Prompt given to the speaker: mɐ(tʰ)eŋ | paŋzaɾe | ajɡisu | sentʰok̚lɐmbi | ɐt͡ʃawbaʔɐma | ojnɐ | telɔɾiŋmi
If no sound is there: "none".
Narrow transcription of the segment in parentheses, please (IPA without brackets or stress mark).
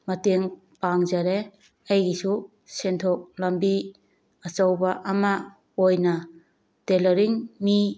t